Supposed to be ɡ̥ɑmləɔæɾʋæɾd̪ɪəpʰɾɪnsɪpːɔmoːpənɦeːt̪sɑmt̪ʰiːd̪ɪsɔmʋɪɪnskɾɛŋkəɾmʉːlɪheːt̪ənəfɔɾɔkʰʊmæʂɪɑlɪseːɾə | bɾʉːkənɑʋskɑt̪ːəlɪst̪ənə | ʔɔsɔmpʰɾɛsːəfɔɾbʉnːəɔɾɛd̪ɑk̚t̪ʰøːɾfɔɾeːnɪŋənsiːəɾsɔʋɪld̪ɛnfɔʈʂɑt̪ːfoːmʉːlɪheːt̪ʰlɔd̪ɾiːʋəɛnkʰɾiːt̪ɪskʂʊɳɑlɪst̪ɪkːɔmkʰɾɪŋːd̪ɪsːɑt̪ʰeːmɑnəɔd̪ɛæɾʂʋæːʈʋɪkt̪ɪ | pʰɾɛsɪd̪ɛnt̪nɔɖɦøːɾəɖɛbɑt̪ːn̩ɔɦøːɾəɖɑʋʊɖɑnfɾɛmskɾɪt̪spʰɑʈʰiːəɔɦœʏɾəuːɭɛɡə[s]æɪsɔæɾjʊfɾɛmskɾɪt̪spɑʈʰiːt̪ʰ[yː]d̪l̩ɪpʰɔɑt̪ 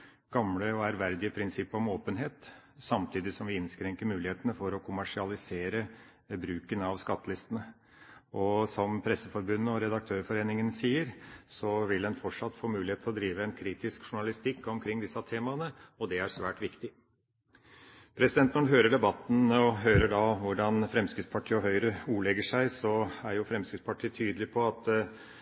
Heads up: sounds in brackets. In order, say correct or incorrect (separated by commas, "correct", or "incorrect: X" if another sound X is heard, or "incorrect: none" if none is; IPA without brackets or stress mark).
incorrect: ʂ, correct